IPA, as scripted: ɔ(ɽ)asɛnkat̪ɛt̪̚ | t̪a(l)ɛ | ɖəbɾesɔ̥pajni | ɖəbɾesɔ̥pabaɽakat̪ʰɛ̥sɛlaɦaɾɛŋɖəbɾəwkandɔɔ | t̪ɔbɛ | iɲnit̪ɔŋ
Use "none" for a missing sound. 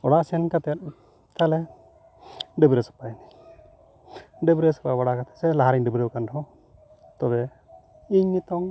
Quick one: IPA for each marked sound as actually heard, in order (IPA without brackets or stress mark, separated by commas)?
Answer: ɽ, l